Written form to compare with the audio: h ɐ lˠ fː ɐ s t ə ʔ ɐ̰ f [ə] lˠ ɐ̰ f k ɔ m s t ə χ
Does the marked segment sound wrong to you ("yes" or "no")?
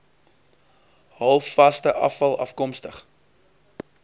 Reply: yes